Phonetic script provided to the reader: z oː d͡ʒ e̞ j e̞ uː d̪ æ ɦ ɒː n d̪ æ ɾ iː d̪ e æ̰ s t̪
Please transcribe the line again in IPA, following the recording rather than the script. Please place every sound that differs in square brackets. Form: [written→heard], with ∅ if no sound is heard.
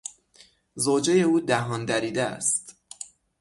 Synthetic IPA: z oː d͡ʒ e̞ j e̞ uː d̪ æ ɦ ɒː n d̪ æ ɾ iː d̪ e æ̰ s t̪